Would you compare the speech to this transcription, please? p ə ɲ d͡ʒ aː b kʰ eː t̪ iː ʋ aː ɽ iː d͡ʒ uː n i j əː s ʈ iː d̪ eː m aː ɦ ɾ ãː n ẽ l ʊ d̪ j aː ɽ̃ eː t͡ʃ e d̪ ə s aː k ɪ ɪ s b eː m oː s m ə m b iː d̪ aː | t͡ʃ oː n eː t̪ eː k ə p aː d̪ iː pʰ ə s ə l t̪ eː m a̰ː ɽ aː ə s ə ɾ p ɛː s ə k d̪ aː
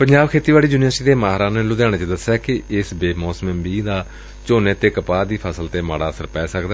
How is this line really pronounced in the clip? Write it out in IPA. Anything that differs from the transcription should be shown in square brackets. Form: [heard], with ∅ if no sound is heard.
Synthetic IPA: p ə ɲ d͡ʒ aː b kʰ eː t̪ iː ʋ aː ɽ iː d͡ʒ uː n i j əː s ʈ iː d̪ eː m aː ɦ ɾ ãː n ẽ l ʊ d̪ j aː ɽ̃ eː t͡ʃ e d̪ ə s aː k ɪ ɪ s b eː m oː s m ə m b iː d̪ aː | t͡ʃ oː n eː t̪ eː k ə p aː d̪ iː pʰ ə s ə l t̪ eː m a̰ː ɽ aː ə s ə ɾ p ɛː s ə k d̪ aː

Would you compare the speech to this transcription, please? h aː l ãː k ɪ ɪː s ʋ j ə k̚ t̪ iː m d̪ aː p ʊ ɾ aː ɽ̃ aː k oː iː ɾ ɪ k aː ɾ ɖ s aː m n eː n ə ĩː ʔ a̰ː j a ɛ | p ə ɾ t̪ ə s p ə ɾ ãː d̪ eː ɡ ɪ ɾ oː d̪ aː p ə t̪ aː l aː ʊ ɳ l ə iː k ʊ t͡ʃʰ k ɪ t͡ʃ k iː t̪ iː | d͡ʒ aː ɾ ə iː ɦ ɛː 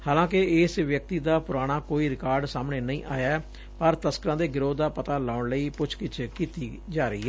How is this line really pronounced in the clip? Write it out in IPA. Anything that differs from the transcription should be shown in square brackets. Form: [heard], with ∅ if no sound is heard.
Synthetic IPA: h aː l ãː k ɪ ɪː s ʋ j ə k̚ t̪ iː [∅] d̪ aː p ʊ ɾ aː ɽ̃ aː k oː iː ɾ ɪ k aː ɾ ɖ s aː m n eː n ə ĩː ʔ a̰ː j a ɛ | p ə ɾ t̪ ə s [k] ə ɾ ãː d̪ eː ɡ ɪ ɾ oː d̪ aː p ə t̪ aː l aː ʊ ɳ l ə iː [p] ʊ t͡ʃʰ k ɪ t͡ʃ k iː t̪ iː | d͡ʒ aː ɾ ə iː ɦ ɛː

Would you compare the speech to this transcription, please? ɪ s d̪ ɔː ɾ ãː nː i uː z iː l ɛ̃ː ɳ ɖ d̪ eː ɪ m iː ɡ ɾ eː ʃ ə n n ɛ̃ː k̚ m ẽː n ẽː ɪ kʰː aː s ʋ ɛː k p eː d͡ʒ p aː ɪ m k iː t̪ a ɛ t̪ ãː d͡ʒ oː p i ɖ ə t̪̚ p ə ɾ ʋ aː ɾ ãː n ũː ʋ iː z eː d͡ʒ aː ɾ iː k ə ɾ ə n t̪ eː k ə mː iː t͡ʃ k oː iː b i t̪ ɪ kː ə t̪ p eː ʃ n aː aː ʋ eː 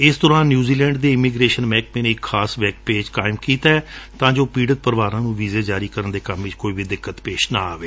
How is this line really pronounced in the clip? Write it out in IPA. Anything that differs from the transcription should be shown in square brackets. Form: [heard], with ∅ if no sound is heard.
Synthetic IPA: ɪ s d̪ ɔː ɾ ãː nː [j] uː z iː l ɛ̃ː ɳ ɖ d̪ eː ɪ m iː ɡ ɾ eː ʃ ə n [m] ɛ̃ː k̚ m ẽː n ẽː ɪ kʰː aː s ʋ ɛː k p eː d͡ʒ [k] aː ɪ m k iː t̪ a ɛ t̪ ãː d͡ʒ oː p [iː] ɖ ə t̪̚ p ə ɾ ʋ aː ɾ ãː n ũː ʋ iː z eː d͡ʒ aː ɾ iː k ə ɾ ə n [d̪] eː k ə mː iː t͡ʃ k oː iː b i [d̪] ɪ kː ə t̪ p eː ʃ n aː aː ʋ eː

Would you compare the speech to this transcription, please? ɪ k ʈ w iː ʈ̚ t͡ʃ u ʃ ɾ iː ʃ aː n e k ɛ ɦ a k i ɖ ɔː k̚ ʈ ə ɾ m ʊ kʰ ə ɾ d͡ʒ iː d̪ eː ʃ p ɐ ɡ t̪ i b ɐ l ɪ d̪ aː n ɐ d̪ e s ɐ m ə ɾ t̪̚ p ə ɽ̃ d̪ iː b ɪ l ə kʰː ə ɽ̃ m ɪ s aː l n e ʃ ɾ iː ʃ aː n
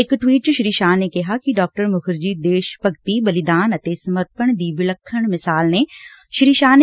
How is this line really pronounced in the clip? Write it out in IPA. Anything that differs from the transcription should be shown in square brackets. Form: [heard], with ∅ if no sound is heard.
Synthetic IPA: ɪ k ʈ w iː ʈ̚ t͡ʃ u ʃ ɾ iː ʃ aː n e k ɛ ɦ a k i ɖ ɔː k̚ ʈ ə ɾ m ʊ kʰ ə ɾ d͡ʒ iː d̪ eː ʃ p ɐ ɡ t̪ i b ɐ l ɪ d̪ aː n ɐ [t̪] e s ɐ m ə ɾ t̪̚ p ə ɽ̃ d̪ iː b ɪ l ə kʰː ə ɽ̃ m ɪ s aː l n e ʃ ɾ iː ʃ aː n

